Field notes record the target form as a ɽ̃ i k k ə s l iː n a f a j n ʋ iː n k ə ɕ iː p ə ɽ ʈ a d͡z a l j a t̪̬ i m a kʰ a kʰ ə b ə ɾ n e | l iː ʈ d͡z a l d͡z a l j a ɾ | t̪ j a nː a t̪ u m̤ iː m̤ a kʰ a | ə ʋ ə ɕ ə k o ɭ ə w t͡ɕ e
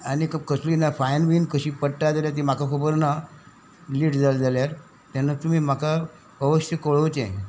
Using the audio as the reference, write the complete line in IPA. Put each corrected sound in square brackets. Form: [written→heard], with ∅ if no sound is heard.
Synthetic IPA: a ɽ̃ i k k ə s l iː n a f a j n ʋ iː n k ə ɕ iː p ə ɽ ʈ a d͡z a l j a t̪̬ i m a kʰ a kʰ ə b ə ɾ n [e→a] | l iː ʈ d͡z a l d͡z a l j a ɾ | t̪ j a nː a t̪ u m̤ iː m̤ a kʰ a | ə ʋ ə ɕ ə k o ɭ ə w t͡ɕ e